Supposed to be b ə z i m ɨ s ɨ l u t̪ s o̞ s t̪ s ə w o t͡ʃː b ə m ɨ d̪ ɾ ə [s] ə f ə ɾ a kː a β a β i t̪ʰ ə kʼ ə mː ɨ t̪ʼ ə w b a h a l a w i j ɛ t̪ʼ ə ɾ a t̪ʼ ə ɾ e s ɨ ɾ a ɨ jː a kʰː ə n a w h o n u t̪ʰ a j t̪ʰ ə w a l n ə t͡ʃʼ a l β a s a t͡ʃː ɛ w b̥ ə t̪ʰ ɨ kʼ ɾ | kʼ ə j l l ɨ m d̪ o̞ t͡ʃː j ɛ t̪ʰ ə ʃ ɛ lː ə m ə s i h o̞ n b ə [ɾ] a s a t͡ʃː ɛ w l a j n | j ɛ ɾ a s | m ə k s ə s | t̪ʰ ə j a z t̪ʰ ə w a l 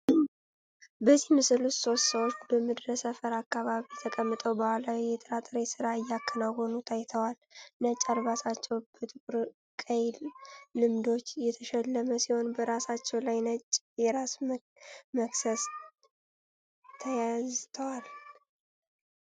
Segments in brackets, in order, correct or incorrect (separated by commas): correct, correct